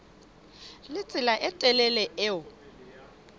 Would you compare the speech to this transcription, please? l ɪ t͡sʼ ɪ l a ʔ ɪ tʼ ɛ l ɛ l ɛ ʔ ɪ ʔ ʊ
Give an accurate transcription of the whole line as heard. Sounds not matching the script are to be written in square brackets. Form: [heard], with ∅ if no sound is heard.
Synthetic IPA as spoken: l ɪ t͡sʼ ɪ l a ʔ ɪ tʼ ɛ l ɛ l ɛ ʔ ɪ [∅] ʊ